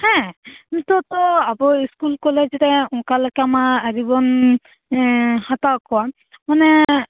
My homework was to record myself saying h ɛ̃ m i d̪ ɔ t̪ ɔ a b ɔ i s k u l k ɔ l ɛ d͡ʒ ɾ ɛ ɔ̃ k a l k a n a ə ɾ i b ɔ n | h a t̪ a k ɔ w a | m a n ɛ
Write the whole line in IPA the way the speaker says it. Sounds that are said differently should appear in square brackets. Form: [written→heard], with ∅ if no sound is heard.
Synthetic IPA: h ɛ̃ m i [d̪→t̪] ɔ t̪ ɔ a b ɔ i s k u l k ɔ l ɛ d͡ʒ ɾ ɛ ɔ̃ k a l k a [n→m] a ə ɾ i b ɔ n | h a t̪ a k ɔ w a | m a n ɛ